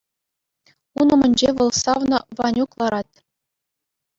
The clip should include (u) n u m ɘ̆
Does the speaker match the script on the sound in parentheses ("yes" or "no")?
yes